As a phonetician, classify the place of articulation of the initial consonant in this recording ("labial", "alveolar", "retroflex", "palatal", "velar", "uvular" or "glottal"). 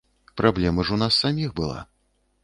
labial